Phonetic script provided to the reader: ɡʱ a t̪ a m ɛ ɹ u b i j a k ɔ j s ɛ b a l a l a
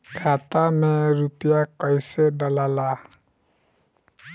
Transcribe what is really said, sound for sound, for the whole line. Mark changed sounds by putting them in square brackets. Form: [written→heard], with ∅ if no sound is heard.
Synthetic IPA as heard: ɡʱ a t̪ a m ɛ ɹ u [b→p] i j a k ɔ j s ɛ [b→d] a l a l a